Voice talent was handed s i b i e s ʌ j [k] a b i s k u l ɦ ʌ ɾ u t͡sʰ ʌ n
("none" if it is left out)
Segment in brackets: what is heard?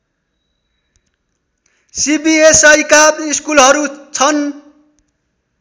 k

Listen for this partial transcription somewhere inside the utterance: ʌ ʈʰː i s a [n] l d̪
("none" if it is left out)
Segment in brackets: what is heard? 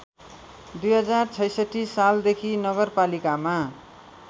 none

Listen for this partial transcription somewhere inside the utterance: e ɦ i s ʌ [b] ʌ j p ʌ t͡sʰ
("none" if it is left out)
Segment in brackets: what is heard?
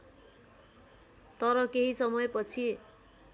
m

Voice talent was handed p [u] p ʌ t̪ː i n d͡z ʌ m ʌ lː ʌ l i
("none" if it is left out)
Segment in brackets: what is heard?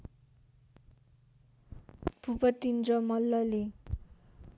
u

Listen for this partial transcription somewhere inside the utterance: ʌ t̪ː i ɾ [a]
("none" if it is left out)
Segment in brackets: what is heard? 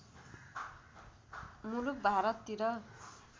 ʌ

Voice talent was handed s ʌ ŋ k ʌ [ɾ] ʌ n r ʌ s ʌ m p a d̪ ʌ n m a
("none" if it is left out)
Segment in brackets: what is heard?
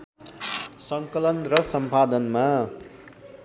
l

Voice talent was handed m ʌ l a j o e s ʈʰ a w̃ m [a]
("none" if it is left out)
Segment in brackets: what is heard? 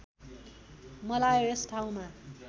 a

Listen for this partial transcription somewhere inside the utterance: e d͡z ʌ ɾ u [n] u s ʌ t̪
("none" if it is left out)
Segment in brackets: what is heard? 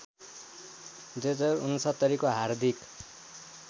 n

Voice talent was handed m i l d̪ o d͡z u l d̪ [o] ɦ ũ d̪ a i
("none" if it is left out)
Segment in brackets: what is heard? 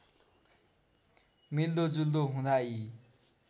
o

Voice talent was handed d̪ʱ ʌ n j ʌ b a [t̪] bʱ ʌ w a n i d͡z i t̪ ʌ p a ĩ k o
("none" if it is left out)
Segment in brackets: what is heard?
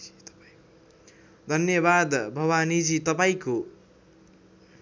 d̪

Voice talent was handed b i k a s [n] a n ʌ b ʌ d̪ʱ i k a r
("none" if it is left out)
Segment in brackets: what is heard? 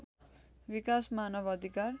m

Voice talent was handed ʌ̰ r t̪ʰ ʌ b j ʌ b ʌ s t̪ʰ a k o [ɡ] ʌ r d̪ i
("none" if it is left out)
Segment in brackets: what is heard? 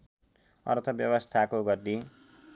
ɡ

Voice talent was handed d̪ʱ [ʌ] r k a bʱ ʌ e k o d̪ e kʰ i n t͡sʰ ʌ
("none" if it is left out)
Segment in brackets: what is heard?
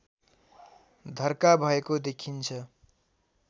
ʌ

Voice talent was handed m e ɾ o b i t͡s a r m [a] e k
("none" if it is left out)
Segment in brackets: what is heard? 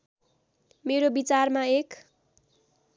a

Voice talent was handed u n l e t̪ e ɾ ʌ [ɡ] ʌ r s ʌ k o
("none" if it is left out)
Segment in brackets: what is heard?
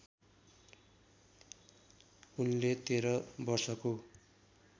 b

